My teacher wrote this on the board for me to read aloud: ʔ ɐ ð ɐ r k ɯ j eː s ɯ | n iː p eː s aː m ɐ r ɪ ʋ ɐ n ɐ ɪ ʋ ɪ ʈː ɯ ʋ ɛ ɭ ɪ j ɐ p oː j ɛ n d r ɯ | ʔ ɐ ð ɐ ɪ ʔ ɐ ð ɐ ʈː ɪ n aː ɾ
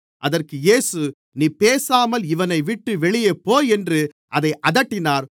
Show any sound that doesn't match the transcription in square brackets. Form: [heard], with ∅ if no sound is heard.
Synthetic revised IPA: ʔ ɐ ð ɐ r k ɯ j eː s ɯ | n iː p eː s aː m ɐ [l] ɪ ʋ ɐ n ɐ ɪ ʋ ɪ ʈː ɯ ʋ ɛ ɭ ɪ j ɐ p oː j ɛ n d r ɯ | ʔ ɐ ð ɐ ɪ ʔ ɐ ð ɐ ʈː ɪ n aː ɾ